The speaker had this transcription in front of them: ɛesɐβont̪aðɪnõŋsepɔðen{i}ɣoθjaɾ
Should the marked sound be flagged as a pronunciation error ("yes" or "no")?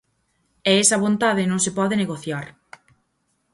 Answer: yes